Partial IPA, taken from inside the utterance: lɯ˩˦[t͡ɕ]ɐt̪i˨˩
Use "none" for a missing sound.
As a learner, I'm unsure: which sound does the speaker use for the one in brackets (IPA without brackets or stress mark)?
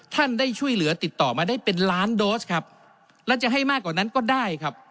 none